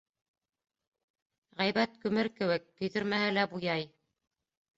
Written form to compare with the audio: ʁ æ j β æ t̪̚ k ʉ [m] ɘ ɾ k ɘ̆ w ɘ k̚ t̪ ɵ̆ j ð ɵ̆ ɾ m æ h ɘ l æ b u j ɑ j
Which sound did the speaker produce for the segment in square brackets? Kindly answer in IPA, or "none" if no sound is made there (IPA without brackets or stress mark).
m